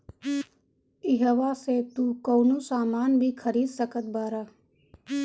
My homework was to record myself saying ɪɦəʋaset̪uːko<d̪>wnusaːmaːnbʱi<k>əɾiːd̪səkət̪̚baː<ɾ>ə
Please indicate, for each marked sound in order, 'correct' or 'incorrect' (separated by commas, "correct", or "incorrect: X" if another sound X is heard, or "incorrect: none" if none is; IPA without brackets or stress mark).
incorrect: none, incorrect: kʰ, correct